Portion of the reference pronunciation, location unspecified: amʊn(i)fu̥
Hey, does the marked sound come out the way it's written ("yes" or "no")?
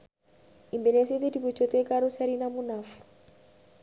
no